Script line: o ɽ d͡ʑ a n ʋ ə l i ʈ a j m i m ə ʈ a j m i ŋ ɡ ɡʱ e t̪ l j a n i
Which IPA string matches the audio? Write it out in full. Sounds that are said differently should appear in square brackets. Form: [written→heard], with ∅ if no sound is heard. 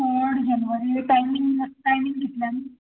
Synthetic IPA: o ɽ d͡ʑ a n ʋ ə [l→ɾ] i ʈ a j m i [m→ŋ] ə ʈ a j m i ŋ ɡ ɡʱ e t̪ l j a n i